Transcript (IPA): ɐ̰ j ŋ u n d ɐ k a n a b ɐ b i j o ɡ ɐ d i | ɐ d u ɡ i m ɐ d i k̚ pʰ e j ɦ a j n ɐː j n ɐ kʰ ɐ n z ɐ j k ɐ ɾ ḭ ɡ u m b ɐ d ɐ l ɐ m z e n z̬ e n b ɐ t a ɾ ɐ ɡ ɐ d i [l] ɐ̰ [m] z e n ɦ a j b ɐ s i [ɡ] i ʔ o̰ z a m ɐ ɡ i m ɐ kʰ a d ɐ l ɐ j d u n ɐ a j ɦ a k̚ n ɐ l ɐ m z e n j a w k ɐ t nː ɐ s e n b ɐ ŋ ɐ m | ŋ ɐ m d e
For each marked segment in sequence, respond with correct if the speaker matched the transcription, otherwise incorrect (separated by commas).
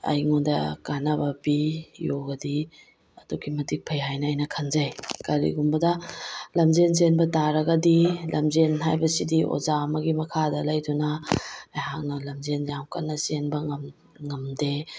correct, correct, incorrect